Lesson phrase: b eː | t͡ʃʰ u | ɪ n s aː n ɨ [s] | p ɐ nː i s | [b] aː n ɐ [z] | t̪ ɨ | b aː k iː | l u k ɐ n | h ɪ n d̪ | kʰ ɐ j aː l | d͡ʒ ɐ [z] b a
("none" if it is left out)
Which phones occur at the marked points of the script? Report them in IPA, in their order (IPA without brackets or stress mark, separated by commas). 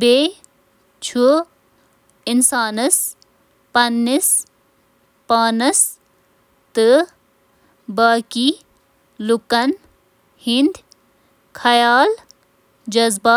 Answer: s, p, s, z